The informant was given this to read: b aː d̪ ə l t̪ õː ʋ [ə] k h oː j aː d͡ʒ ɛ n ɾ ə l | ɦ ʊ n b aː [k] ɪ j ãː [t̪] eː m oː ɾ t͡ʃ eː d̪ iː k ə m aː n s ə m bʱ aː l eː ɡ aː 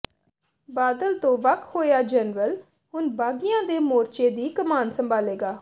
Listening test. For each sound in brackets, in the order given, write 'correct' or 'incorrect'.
correct, incorrect, incorrect

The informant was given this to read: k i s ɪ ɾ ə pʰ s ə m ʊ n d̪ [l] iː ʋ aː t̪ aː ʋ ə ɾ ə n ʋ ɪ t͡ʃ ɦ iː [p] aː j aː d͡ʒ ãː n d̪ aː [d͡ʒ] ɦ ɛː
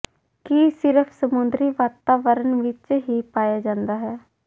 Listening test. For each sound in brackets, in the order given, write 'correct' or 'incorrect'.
incorrect, correct, incorrect

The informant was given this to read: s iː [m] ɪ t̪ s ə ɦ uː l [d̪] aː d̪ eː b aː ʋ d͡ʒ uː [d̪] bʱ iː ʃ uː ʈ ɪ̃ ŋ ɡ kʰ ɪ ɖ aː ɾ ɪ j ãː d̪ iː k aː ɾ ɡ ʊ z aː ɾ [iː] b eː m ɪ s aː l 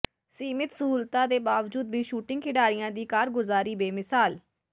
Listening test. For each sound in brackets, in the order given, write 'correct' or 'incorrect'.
correct, incorrect, correct, correct

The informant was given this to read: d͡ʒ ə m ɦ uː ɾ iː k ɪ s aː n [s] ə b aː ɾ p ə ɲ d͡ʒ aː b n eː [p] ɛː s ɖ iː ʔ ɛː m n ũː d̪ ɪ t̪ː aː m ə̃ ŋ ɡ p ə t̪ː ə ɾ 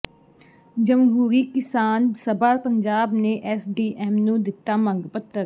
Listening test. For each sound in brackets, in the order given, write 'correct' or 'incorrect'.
correct, incorrect

